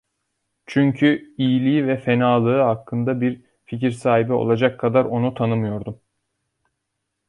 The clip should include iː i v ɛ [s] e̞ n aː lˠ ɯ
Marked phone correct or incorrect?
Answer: incorrect